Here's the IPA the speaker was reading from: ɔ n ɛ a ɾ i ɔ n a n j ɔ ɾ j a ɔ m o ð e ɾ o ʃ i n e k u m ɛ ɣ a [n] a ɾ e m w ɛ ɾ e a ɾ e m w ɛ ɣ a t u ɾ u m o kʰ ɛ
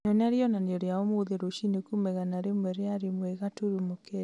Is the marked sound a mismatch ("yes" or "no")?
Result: no